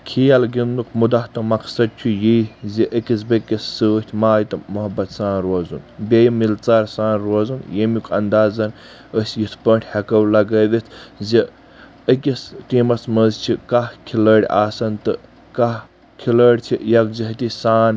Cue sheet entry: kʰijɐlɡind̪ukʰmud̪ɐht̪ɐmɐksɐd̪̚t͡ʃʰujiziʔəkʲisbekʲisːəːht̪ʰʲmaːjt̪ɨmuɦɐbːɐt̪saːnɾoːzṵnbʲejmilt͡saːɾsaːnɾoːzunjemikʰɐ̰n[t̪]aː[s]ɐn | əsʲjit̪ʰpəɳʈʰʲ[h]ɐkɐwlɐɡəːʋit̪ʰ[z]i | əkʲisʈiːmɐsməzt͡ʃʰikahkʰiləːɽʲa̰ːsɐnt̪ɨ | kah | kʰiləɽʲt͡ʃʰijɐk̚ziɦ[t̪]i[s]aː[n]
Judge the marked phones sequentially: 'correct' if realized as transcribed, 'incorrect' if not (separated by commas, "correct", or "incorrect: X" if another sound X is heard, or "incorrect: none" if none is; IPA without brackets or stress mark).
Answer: incorrect: d̪, incorrect: z, correct, correct, correct, correct, correct